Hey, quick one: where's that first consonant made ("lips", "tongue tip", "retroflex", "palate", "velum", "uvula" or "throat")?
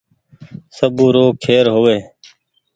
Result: tongue tip